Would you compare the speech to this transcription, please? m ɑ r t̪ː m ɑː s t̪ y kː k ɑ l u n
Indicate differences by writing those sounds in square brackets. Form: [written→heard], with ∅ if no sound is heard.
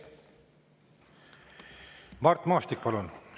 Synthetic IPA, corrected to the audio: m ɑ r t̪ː m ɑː s t̪ [y→i] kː [k→p] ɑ l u n